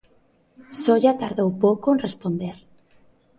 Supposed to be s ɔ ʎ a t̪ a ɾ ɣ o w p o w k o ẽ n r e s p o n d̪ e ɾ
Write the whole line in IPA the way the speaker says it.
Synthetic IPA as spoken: s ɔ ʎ a t̪ a ɾ ð o w p o w k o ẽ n r e s p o n d̪ e ɾ